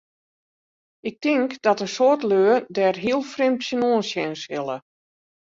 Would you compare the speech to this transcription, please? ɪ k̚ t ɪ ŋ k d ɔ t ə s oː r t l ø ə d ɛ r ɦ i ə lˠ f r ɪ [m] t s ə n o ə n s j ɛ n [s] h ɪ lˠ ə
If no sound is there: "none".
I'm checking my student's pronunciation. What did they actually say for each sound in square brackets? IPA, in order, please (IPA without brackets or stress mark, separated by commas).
m, s